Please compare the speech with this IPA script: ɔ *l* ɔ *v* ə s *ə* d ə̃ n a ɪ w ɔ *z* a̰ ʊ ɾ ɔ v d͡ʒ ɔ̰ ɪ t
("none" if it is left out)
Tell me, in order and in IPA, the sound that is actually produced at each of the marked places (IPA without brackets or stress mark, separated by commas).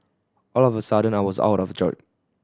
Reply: l, v, a, z